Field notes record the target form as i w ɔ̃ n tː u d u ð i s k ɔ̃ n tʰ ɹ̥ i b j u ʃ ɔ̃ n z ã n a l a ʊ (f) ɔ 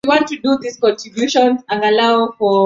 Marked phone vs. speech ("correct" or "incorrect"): correct